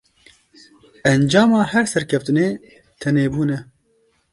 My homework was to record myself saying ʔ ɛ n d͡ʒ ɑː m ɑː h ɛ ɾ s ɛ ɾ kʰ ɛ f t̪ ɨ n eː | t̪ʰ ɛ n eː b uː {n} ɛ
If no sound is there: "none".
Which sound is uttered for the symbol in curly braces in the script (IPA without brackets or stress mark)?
n